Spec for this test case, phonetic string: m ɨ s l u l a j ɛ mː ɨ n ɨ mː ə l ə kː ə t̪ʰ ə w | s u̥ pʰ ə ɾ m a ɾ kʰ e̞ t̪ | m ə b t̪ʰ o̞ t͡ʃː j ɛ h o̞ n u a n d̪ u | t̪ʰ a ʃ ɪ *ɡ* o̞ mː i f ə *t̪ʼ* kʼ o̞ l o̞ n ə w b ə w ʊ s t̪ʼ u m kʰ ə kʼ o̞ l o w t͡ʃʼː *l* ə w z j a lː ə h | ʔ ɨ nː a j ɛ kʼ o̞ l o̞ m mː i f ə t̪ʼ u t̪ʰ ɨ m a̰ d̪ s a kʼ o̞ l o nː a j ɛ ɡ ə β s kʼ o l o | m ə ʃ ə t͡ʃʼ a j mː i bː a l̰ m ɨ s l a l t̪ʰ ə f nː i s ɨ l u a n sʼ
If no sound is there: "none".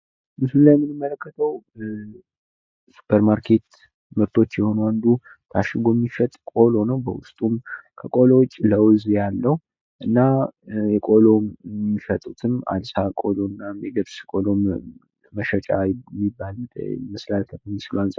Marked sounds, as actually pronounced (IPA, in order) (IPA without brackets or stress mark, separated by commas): ɡ, t̪ʼ, l